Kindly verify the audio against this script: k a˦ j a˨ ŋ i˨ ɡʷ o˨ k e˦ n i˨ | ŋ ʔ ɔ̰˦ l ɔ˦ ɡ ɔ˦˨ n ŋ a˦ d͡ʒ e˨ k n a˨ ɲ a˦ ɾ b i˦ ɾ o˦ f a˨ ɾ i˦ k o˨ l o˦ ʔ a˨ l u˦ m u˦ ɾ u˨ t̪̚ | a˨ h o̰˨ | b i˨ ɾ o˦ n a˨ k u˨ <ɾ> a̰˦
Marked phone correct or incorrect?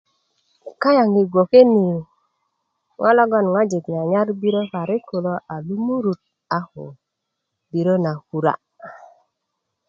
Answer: correct